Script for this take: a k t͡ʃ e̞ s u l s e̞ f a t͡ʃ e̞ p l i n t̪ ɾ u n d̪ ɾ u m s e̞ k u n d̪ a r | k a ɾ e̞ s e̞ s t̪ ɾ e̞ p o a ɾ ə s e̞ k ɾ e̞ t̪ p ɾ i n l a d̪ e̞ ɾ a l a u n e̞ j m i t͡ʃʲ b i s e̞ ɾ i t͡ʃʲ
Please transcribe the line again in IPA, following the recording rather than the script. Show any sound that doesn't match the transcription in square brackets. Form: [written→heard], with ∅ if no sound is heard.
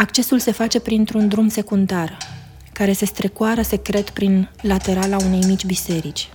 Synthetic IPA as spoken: a k t͡ʃ e̞ s u l s e̞ f a t͡ʃ e̞ p [l→ɾ] i n t̪ ɾ u n d̪ ɾ u m s e̞ k u n d̪ a r | k a ɾ e̞ s e̞ s t̪ ɾ e̞ [p→k] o a ɾ ə s e̞ k ɾ e̞ t̪ p ɾ i n l a [d̪→t̪] e̞ ɾ a l a u n e̞ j m i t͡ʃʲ b i s e̞ ɾ i t͡ʃʲ